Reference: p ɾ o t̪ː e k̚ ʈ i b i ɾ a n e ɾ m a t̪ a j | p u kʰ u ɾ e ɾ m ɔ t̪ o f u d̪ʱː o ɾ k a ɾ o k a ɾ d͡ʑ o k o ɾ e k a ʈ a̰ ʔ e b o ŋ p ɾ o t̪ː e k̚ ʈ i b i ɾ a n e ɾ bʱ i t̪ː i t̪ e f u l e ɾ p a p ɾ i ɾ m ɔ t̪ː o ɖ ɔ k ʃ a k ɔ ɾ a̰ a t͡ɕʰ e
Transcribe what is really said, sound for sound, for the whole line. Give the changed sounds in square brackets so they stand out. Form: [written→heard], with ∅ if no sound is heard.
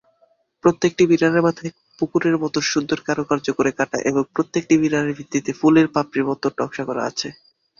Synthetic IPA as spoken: p ɾ o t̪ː e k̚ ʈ i b i ɾ a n e ɾ m a [t̪→t̪ʰ] a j | p u [kʰ→k] u ɾ e ɾ m ɔ t̪ o [f→ʃ] u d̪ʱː o ɾ k a ɾ o k a ɾ d͡ʑ o k o ɾ e k a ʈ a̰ ʔ e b o ŋ p ɾ o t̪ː e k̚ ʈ i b i ɾ a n e ɾ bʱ i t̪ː i t̪ e f u l e ɾ p a p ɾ i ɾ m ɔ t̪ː o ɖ ɔ k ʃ a k ɔ ɾ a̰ a t͡ɕʰ e